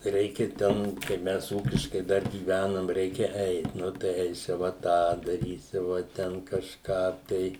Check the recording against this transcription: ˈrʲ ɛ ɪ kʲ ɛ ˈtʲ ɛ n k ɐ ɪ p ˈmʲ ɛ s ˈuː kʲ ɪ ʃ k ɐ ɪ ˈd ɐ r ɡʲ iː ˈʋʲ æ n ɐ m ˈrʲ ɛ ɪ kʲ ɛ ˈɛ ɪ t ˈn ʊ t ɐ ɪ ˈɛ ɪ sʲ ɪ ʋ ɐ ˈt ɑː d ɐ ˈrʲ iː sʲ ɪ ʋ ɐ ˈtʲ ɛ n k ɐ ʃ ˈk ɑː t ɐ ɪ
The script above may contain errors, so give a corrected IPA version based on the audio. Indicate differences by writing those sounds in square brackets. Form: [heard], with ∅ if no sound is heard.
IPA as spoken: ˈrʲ ɛ ɪ kʲ ɛ ˈtʲ ɛ n k ɐ ɪ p ˈmʲ ɛ s ˈuː kʲ ɪ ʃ k ɐ ɪ ˈd ɐ r ɡʲ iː ˈʋʲ æ n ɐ m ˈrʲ ɛ ɪ kʲ ɛ ˈɛ ɪ t ˈn ʊ t ɐ ɪ ˈɛ ɪ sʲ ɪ ʋ ɐ ˈt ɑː d ɐ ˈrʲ iː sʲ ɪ ʋ ɐ ˈtʲ ɛ n k ɐ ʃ ˈk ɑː t ɐ ɪ